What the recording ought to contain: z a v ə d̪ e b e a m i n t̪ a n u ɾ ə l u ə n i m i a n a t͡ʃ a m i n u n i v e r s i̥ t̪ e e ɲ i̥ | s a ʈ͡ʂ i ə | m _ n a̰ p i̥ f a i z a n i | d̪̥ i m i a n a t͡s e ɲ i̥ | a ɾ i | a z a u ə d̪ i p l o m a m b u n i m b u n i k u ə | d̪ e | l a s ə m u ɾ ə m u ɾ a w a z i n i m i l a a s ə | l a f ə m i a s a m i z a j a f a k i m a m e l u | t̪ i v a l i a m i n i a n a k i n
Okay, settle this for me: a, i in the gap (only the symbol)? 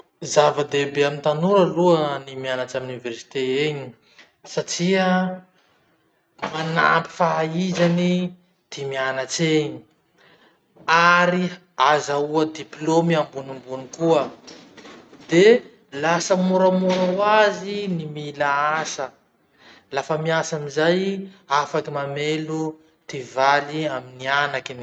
a